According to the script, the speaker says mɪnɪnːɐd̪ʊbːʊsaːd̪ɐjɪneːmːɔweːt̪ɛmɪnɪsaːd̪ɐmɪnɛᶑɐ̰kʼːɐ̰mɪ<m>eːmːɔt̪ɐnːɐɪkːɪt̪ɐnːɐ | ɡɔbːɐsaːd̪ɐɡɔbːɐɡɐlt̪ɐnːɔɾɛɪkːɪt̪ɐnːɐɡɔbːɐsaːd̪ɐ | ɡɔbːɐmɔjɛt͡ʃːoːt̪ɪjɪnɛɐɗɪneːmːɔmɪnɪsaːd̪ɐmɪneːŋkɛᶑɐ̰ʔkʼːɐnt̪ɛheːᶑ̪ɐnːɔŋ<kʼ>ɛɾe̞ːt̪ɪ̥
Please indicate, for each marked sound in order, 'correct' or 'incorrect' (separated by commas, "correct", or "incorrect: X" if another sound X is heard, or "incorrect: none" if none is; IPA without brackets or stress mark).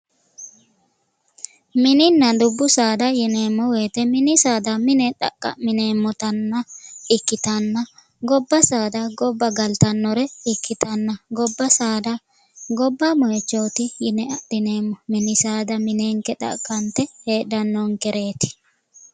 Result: incorrect: n, incorrect: k